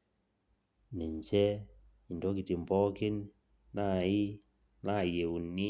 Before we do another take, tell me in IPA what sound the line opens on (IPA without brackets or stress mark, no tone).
n